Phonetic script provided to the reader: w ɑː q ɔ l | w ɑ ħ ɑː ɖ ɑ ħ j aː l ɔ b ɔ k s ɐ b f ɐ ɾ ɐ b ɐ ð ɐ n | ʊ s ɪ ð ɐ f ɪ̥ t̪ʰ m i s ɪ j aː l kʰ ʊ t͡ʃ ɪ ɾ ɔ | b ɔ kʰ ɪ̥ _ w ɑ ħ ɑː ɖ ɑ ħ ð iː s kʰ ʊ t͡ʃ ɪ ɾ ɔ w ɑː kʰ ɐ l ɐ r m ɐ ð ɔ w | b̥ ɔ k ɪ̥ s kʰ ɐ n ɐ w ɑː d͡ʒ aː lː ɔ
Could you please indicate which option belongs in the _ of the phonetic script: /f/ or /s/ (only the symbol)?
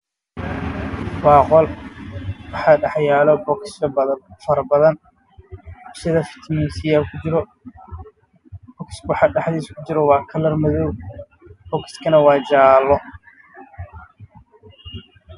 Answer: s